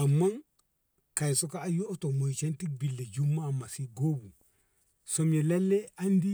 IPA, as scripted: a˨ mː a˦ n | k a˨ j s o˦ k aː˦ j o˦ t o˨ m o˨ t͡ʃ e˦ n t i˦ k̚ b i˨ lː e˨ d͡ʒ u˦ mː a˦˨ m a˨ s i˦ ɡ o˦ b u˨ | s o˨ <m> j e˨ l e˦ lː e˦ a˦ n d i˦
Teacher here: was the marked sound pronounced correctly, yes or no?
yes